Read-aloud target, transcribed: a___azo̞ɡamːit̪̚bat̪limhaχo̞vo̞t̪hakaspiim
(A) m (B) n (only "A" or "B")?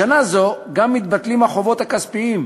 B